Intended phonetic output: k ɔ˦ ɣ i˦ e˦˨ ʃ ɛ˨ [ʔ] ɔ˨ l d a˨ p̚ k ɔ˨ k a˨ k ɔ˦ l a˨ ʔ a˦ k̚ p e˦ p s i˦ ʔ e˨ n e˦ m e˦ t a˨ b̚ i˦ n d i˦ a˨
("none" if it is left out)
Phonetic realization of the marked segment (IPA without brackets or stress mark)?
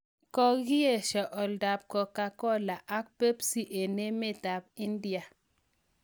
ʔ